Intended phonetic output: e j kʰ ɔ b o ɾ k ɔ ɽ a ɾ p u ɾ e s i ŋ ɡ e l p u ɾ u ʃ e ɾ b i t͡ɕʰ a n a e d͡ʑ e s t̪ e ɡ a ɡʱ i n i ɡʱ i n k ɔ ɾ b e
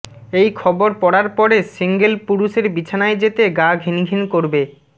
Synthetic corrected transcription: e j kʰ ɔ b o ɾ p ɔ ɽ a ɾ p ɔ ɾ e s i ŋ ɡ e l p u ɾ u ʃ e ɾ b i t͡ɕʰ a n a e d͡ʑ e t̪ e ɡ a ɡʱ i n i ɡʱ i n k o ɾ b e